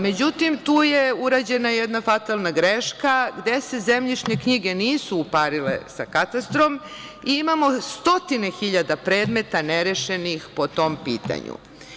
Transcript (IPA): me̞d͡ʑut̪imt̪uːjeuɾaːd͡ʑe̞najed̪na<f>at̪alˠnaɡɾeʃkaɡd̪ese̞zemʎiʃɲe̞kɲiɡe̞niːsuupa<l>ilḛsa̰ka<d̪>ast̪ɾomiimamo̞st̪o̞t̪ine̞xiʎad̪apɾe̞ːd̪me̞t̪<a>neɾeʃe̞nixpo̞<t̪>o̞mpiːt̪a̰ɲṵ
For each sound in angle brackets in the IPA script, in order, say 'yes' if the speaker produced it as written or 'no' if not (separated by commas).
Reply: yes, no, no, yes, yes